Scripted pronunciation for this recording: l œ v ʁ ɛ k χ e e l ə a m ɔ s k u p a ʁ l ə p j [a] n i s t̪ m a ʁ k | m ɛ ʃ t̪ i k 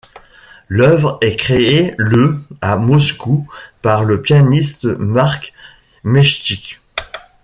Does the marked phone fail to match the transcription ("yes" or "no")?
no